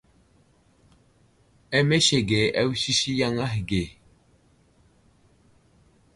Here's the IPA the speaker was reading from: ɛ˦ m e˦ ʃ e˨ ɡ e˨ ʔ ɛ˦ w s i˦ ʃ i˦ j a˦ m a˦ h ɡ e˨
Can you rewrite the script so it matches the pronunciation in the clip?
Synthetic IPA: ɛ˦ m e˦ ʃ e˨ ɡ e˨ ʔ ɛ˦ w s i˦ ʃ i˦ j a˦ ŋ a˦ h ɡ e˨

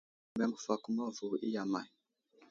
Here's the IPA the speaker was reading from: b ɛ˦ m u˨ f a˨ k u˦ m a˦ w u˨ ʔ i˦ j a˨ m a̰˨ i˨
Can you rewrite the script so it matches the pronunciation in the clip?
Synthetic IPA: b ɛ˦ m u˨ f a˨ k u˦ m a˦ v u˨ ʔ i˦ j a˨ m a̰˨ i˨

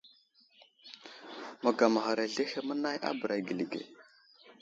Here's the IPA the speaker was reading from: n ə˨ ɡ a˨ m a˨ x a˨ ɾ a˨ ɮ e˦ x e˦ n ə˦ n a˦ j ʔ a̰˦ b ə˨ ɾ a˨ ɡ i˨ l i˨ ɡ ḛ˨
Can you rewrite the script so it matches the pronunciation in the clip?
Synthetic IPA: m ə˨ ɡ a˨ m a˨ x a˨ ɾ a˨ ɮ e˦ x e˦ m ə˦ n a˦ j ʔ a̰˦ b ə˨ ɾ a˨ ɡ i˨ l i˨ ɡ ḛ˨

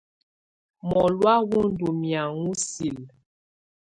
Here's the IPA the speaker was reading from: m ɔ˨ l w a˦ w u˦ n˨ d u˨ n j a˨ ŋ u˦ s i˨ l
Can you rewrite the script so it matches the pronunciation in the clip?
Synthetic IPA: m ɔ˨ l w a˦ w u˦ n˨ d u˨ m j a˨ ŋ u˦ s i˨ l

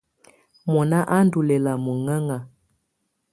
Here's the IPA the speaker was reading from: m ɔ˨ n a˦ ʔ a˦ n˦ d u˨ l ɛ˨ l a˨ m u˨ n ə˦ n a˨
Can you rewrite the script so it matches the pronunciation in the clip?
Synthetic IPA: m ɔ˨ n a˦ ʔ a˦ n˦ d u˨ l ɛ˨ l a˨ m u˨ ŋ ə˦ ŋ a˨

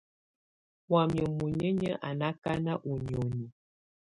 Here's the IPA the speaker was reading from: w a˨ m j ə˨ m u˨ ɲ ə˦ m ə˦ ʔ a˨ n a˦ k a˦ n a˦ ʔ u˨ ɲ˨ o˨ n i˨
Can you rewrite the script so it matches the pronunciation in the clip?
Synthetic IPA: w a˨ m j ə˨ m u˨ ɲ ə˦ ɲ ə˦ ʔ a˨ n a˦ k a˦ n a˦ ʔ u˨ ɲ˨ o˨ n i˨

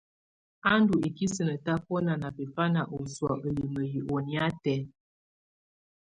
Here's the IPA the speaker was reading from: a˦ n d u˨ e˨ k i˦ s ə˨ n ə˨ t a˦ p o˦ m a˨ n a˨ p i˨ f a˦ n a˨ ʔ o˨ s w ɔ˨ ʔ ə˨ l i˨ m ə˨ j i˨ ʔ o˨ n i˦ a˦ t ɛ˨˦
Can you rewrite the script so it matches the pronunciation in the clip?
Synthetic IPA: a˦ n d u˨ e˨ k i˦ s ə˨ n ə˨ t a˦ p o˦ n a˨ n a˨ p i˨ f a˦ n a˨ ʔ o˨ s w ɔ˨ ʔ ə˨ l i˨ m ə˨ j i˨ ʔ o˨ n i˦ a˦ t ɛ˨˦

